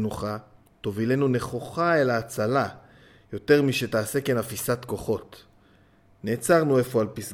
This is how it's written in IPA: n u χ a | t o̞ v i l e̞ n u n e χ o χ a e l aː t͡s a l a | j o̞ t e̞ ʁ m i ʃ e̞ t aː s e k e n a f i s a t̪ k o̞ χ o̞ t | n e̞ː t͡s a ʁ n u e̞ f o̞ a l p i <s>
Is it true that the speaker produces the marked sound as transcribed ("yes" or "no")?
yes